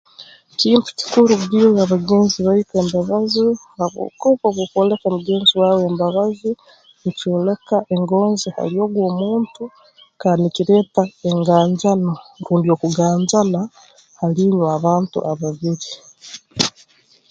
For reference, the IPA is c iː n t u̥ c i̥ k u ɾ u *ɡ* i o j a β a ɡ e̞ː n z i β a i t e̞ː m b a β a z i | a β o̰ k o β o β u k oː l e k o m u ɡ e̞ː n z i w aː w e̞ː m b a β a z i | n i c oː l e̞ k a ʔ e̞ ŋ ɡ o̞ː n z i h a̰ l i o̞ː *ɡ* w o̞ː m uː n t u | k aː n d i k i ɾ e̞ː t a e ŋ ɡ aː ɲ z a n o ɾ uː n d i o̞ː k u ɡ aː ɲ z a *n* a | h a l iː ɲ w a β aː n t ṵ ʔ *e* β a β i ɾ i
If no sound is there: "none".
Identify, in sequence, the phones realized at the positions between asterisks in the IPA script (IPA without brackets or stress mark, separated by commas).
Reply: ɡ, ɡ, n, a